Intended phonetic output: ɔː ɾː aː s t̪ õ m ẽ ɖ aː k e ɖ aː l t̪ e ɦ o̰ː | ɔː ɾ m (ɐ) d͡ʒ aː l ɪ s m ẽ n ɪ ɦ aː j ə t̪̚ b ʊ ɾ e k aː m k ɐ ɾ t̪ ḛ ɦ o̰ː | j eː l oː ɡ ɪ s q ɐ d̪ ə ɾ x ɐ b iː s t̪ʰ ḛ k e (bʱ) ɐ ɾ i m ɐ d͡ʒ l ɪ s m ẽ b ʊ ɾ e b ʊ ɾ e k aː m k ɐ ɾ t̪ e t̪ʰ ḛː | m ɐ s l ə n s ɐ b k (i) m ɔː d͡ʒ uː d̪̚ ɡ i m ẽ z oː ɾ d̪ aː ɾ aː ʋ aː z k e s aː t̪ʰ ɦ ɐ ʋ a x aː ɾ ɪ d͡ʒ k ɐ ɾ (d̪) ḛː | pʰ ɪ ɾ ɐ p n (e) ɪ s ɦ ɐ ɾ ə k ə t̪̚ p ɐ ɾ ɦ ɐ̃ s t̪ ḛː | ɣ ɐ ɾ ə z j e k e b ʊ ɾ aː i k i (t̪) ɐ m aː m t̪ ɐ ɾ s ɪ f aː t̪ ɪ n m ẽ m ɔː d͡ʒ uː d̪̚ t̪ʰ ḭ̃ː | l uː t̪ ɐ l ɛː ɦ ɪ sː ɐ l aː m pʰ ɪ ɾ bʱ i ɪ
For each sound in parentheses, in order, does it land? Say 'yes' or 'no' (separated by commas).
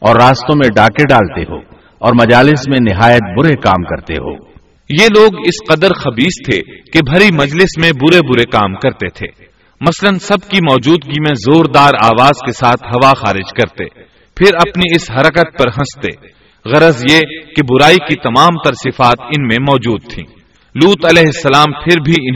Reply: yes, yes, yes, no, no, yes